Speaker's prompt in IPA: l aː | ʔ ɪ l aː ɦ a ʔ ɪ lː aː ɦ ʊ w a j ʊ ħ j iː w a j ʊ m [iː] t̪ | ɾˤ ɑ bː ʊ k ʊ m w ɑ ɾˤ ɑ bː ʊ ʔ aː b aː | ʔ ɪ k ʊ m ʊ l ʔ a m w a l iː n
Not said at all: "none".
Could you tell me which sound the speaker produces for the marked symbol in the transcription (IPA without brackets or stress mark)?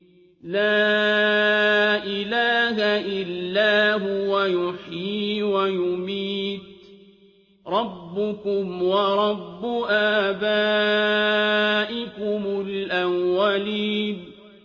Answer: iː